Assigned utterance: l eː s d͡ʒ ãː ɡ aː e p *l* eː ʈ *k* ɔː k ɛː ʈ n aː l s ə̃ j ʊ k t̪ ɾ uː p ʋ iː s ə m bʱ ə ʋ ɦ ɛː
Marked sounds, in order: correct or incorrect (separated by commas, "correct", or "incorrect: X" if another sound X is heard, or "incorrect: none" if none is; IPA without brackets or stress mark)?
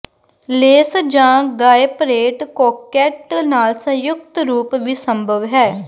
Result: incorrect: ɾ, correct